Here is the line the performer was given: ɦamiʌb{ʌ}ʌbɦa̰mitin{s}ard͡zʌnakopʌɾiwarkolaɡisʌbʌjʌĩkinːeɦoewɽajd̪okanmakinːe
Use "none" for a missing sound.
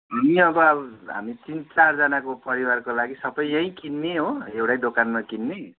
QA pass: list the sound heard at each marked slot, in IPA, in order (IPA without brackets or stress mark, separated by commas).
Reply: ʌ, t͡s